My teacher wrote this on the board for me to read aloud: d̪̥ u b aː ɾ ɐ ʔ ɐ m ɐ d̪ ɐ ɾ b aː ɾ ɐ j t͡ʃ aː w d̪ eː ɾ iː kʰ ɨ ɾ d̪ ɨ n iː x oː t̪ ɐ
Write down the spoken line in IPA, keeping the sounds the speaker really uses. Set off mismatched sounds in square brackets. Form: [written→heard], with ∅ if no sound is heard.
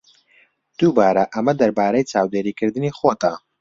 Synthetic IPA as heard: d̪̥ u b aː ɾ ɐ ʔ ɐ m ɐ d̪ ɐ ɾ b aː ɾ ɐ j t͡ʃ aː w d̪ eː ɾ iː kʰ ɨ ɾ d̪ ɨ n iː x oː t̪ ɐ